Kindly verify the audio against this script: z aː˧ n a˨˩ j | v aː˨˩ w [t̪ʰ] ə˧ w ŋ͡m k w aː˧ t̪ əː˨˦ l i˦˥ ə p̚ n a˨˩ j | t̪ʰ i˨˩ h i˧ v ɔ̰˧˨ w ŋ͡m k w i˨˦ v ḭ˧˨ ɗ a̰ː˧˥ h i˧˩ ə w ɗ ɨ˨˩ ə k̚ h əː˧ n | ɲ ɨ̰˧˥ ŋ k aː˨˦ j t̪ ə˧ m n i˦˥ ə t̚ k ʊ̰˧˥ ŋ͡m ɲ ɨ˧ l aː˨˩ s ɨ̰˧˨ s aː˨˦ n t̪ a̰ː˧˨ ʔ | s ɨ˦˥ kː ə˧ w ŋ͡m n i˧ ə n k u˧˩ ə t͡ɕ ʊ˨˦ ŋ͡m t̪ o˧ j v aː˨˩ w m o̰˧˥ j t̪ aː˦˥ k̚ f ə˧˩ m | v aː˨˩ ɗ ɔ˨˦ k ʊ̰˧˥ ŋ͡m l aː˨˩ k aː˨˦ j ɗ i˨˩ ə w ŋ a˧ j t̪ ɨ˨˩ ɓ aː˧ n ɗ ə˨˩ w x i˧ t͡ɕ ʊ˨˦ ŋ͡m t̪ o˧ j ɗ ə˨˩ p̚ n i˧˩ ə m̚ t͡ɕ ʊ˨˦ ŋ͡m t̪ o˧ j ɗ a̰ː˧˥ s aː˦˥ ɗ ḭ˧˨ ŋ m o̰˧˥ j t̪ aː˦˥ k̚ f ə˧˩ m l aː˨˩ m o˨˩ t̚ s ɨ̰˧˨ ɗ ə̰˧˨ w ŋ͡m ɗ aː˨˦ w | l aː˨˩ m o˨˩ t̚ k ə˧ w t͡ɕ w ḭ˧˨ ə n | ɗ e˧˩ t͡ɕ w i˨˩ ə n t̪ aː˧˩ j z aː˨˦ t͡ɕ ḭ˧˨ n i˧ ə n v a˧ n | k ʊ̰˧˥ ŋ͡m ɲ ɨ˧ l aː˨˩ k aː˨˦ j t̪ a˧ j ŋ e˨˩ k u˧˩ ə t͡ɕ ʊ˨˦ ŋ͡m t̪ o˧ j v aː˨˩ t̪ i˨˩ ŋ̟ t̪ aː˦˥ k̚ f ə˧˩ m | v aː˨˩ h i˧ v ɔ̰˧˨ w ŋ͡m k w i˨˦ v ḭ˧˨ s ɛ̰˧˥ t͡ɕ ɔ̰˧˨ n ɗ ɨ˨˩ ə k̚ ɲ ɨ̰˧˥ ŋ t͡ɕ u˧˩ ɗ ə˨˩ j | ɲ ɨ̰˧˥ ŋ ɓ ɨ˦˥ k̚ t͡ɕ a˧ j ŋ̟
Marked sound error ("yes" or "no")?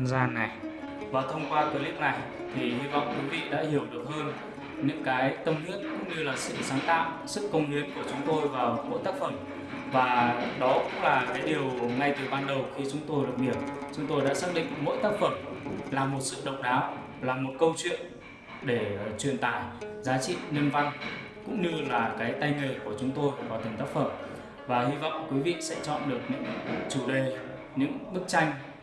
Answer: no